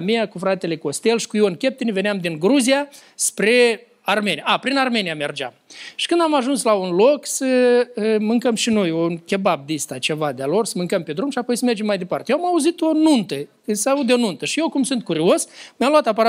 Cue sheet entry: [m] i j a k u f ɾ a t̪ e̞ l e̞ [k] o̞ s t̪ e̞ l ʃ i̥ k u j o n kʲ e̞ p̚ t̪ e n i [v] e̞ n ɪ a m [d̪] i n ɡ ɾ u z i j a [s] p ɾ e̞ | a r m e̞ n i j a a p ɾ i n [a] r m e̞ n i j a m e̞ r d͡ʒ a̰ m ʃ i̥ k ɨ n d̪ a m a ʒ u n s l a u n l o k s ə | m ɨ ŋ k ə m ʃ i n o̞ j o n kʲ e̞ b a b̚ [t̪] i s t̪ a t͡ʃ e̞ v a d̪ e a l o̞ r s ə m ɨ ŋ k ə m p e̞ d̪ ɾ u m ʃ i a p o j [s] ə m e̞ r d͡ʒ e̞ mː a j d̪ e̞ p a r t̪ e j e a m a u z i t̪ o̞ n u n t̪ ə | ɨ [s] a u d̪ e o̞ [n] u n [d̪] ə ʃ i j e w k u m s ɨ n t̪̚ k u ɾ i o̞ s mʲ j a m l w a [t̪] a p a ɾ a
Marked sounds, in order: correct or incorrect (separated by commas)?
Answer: correct, correct, correct, correct, correct, correct, incorrect, correct, correct, correct, incorrect, correct